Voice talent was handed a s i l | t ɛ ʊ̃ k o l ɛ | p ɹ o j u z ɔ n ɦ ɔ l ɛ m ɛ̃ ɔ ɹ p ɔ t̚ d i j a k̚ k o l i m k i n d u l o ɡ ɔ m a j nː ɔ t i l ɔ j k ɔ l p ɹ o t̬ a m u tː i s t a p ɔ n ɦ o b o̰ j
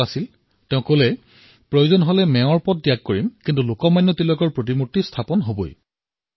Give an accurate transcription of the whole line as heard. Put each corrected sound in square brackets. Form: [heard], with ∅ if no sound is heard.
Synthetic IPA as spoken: a s i l | t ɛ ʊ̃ k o l ɛ | p ɹ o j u z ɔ n ɦ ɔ l ɛ m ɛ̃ ɔ ɹ p ɔ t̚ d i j a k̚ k o [ɹ] i m k i n [t] u l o [k] ɔ m a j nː ɔ t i l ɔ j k ɔ [ɹ] p ɹ o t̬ [i] m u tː i s [tʰ] a p ɔ n ɦ o b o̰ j